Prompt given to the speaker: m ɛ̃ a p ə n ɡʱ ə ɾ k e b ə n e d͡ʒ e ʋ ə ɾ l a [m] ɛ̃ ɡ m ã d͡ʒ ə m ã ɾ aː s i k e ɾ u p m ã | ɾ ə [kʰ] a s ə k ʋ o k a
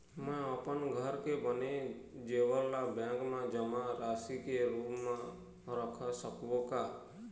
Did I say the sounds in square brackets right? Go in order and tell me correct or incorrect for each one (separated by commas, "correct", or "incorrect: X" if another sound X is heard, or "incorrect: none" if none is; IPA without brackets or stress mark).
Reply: incorrect: b, correct